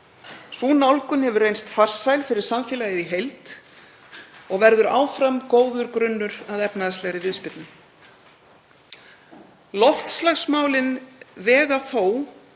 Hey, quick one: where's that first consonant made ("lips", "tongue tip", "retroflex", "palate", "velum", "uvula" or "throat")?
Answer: tongue tip